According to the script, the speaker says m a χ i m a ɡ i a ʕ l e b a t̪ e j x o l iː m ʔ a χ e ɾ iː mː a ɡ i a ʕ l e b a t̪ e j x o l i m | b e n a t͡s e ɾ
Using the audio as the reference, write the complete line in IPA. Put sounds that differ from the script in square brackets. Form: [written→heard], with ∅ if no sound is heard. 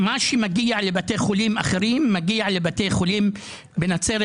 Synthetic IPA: m a [χ→ʃ] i m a ɡ i a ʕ l e b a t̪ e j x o l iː m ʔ a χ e ɾ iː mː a ɡ i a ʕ l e b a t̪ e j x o l i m | b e n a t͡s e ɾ

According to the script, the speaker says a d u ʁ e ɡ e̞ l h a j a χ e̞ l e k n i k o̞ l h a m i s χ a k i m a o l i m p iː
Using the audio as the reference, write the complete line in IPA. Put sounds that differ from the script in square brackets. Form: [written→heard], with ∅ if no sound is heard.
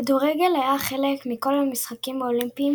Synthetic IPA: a d u ʁ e ɡ e̞ l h a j a χ e̞ l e k [n→m] i k o̞ l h a m i s χ a k i m a o l i m p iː

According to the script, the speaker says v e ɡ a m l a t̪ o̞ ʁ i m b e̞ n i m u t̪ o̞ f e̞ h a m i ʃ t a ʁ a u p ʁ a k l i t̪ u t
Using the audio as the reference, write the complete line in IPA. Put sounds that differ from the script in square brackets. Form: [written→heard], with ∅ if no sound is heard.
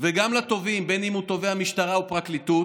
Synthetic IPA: v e ɡ a m l a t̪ o̞ [ʁ→v] i m b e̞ n i m u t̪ o̞ [f→v] e̞ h a m i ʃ t a ʁ a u p ʁ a k l i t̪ u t

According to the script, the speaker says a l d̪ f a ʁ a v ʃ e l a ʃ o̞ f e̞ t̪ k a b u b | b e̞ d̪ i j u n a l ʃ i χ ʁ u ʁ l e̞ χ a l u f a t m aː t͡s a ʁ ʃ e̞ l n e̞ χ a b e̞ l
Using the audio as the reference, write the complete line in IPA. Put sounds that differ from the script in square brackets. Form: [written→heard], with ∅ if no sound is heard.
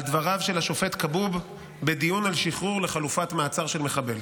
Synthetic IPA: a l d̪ [f→v] a ʁ a v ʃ e l a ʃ o̞ f e̞ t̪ k a b u b | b e̞ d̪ i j u n a l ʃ i χ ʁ u ʁ l e̞ χ a l u f a t m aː t͡s a ʁ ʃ e̞ l [n→m] e̞ χ a b e̞ l

